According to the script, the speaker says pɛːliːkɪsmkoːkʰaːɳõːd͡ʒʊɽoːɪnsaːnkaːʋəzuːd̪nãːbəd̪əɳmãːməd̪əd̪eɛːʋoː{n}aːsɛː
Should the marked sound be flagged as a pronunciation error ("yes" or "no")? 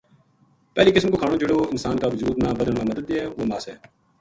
yes